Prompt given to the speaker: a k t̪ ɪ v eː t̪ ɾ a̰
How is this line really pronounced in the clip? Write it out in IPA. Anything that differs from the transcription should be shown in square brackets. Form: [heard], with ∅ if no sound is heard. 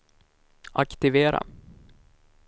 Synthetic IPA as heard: a k t̪ ɪ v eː [∅] ɾ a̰

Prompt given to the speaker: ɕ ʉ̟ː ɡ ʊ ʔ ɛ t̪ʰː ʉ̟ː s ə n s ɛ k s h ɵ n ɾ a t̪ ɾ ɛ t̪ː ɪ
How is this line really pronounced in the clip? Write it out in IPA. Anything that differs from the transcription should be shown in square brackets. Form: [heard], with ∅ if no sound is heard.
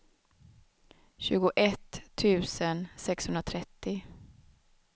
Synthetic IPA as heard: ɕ ʉ̟ː ɡ ʊ ʔ ɛ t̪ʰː ʉ̟ː s ə n s ɛ k s h ɵ n ɾ a [t̪ʰ] ɾ ɛ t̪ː ɪ

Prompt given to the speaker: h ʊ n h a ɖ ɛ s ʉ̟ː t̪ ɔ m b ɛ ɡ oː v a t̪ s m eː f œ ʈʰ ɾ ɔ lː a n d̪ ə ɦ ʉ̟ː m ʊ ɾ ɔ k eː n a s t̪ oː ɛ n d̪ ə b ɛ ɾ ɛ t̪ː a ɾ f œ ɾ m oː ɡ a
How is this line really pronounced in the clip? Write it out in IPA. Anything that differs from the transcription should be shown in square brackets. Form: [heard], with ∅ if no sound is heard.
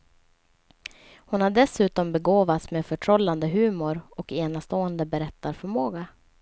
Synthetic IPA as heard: h ʊ n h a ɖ ɛ s ʉ̟ː t̪ ɔ m b ɛ ɡ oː v a t̪ s m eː f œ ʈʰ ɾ ɔ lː a n d̪ ə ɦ ʉ̟ː m ʊ ɾ ɔ k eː n a s t̪ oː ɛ n d̪ ə b ɛ ɾ ɛ t̪ː a ɾ f œ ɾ m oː ɡ a

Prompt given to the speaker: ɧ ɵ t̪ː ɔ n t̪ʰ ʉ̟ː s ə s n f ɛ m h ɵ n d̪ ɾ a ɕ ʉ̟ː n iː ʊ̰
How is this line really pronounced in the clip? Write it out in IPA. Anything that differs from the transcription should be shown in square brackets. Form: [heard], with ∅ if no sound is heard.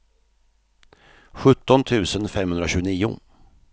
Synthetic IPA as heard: ɧ ɵ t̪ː ɔ n t̪ʰ ʉ̟ː s ə [∅] n f ɛ m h ɵ n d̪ ɾ a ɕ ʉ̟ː n iː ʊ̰

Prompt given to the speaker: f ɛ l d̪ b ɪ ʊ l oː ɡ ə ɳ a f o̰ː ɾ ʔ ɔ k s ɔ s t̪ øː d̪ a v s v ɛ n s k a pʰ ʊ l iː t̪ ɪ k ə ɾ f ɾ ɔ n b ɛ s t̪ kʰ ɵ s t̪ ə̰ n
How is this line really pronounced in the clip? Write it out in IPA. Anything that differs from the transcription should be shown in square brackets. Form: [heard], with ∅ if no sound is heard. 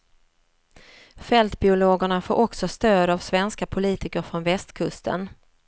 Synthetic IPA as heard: f ɛ l [t̪] b ɪ ʊ l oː ɡ ə ɳ a f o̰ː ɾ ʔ ɔ k s ɔ s t̪ øː d̪ a v s v ɛ n s k a pʰ ʊ l iː t̪ ɪ k ə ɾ f ɾ ɔ n [v] ɛ s t̪ kʰ ɵ s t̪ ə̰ n

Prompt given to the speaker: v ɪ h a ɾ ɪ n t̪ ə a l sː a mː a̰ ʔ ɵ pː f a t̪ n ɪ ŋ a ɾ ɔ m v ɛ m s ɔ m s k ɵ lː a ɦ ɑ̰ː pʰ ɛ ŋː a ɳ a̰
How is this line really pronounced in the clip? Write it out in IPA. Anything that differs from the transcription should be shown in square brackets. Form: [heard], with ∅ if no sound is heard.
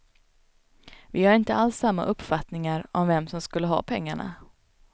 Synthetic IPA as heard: v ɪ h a ɾ ɪ n t̪ ə a l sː a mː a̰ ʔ ɵ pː f a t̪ n ɪ ŋ a ɾ ɔ m v ɛ m s ɔ m s k ɵ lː [ə] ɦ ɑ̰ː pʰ ɛ ŋː a ɳ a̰

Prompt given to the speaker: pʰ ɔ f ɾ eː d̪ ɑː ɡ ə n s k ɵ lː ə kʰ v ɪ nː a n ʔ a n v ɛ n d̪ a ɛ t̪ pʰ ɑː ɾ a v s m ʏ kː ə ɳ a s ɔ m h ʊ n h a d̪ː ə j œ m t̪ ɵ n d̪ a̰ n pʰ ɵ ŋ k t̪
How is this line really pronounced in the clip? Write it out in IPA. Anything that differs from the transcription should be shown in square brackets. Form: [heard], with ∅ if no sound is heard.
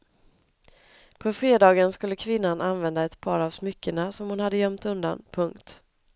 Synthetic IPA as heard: pʰ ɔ f ɾ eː d̪ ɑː ɡ ə n s k ɵ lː ə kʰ v ɪ nː a n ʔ a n v ɛ n d̪ a ɛ t̪ pʰ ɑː ɾ a v s m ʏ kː ə ɳ a s ɔ m h ʊ n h a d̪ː ə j œ m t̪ ɵ n d̪ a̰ n pʰ ɵ ŋ k t̪

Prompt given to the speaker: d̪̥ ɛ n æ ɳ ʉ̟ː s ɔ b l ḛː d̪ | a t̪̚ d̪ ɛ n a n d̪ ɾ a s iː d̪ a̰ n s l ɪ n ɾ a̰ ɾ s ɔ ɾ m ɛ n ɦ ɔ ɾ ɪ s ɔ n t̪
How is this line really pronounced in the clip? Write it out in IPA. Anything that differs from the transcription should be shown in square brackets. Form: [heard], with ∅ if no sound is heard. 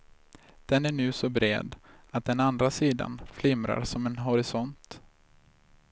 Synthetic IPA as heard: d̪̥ ɛ n æ ɳ ʉ̟ː s ɔ b [ɾ] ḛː d̪ | a t̪̚ d̪ ɛ n a n d̪ ɾ a s iː d̪ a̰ n [f] l ɪ [m] ɾ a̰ ɾ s ɔ [∅] m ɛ n ɦ ɔ ɾ ɪ s ɔ n t̪

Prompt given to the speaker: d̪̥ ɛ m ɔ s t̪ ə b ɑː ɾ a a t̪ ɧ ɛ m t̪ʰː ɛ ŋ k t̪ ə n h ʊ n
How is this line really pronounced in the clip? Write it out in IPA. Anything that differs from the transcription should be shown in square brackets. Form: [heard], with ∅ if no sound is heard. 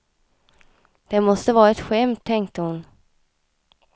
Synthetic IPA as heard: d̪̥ ɛ m ɔ s t̪ ə [v] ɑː ɾ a [ɛ] t̪ ɧ ɛ m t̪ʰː ɛ ŋ k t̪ ə [∅] h ʊ n

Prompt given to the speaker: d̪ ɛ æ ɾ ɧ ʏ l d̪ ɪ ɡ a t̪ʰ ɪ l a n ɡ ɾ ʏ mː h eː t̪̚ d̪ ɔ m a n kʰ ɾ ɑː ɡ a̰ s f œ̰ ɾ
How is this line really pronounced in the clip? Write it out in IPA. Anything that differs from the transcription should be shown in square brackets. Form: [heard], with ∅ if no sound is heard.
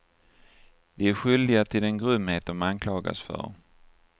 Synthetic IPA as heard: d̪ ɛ æ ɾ ɧ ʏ l d̪ ɪ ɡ a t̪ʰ ɪ l [ɛ] n ɡ ɾ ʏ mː h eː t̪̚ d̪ ɔ m a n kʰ [l] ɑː ɡ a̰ s f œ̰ ɾ

